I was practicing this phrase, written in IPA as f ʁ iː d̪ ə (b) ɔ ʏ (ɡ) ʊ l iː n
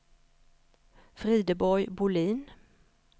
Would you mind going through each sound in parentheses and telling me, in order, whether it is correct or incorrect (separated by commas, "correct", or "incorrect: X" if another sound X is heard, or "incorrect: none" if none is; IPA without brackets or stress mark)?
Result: correct, incorrect: b